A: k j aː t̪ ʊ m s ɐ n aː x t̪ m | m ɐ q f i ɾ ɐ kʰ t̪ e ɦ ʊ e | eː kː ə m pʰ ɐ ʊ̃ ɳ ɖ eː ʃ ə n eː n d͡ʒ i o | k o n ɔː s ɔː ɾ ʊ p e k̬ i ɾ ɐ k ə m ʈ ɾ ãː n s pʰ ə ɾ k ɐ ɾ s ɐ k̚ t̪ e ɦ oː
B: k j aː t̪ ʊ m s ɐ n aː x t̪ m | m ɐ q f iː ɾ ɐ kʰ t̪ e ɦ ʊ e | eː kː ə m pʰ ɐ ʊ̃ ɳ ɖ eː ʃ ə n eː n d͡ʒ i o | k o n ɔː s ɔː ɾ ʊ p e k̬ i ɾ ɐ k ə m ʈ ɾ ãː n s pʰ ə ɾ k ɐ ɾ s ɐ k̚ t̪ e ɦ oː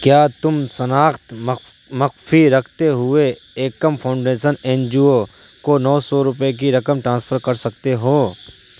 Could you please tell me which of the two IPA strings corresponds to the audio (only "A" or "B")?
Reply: A